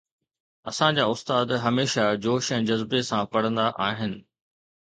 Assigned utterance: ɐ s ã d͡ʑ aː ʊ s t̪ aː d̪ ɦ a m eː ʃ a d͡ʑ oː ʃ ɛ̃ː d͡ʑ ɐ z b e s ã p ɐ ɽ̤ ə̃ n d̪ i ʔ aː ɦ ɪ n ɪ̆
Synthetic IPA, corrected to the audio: ɐ s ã d͡ʑ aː ʊ s t̪ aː d̪ ɦ ɐ m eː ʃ a d͡ʑ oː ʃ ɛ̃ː d͡ʑ ɐ z b e s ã p ɐ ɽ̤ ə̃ n d̪ a ʔ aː ɦ ɪ n ɪ̆